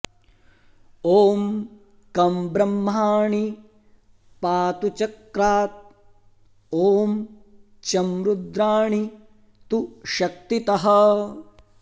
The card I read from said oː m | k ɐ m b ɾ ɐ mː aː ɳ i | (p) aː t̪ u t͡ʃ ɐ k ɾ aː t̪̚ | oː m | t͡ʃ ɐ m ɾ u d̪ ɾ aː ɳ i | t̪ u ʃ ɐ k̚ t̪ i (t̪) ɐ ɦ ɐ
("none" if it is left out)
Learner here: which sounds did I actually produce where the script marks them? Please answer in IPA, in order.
p, t̪

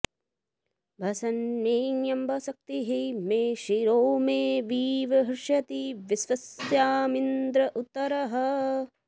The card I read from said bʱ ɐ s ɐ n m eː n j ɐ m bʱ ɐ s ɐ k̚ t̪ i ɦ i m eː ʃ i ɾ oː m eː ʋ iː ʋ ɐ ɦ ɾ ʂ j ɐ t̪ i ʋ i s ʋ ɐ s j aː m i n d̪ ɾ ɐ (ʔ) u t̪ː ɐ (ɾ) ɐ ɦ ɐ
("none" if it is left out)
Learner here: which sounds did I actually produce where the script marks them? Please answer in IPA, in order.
ʔ, ɾ

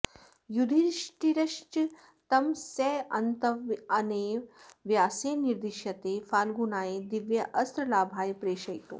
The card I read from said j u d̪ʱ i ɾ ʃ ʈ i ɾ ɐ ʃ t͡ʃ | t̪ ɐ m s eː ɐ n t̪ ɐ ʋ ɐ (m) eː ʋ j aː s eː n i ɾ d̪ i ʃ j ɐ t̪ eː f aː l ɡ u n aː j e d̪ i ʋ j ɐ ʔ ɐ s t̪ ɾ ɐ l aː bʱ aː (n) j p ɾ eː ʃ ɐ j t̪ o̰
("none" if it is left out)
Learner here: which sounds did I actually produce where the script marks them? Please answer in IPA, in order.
n, none

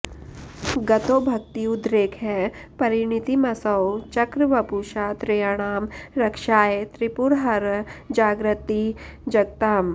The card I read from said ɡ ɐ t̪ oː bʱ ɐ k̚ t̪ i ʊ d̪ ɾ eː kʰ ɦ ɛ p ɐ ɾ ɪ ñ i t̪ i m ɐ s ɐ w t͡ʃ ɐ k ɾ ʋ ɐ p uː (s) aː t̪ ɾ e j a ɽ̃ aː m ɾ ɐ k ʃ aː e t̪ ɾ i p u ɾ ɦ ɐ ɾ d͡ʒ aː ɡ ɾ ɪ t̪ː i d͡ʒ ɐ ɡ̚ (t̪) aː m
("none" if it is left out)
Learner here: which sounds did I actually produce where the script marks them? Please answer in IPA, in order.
ʃ, t̪

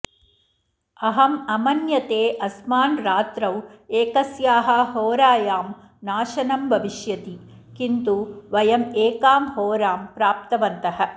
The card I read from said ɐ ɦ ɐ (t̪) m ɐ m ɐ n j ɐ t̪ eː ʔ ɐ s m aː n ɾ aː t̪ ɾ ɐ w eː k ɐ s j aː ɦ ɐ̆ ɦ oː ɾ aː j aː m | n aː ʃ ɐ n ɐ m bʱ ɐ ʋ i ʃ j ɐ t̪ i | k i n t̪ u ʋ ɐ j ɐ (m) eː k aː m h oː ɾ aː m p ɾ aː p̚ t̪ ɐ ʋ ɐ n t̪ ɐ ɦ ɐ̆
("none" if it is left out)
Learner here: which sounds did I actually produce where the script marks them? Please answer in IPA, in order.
none, m

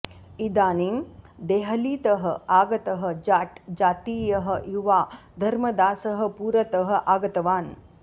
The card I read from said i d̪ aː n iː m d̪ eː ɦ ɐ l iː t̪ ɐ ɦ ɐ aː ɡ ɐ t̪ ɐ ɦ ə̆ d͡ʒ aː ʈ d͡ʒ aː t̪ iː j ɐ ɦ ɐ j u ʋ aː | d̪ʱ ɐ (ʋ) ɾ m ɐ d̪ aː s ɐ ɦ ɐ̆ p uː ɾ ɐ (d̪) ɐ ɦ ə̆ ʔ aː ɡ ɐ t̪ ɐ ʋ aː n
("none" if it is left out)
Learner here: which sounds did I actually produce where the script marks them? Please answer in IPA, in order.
none, t̪

